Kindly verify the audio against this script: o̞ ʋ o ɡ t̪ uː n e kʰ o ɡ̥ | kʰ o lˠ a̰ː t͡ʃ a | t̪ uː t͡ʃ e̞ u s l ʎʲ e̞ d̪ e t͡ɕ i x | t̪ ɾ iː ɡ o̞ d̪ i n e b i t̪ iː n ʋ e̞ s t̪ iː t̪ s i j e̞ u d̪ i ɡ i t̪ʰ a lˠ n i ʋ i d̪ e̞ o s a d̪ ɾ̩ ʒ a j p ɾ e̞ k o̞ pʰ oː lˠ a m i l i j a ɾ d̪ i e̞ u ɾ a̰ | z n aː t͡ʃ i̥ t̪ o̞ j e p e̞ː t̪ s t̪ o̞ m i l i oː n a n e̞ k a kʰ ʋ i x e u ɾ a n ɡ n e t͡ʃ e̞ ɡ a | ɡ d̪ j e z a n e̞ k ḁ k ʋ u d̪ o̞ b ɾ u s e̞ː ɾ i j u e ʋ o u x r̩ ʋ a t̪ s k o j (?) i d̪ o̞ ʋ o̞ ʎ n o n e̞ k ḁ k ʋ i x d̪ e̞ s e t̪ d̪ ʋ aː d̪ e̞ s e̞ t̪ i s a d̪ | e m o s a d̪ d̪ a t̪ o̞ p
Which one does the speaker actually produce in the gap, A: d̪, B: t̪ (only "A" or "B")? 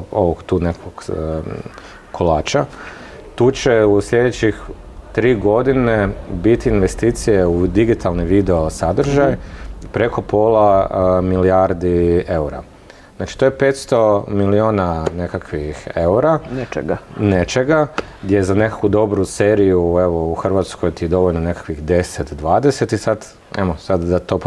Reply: B